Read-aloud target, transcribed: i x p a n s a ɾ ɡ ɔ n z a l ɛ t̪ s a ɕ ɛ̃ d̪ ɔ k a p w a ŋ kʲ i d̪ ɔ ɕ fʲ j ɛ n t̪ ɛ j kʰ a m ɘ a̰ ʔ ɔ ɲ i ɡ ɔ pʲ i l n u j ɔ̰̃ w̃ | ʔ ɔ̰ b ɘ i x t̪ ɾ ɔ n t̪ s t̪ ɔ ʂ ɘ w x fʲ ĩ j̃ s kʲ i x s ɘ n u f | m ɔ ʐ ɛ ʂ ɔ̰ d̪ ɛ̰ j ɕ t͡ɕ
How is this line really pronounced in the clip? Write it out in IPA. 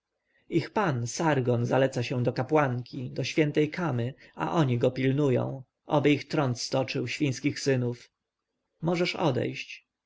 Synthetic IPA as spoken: i x p a n s a ɾ ɡ ɔ n z a l ɛ t̪ s a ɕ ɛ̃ d̪ ɔ k a p w a ŋ kʲ i d̪ ɔ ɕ fʲ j ɛ n t̪ ɛ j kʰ a m ɘ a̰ ʔ ɔ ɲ i ɡ ɔ pʲ i l n u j ɔ̰̃ w̃ | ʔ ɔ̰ b ɘ i x t̪ ɾ ɔ n t̪ s t̪ ɔ t͡ʂ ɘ w ɕ fʲ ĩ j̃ s kʲ i x s ɘ n u f | m ɔ ʐ ɛ ʂ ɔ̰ d̪ ɛ̰ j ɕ t͡ɕ